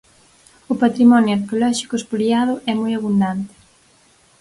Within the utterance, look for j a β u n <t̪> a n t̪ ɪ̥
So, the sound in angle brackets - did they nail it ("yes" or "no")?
no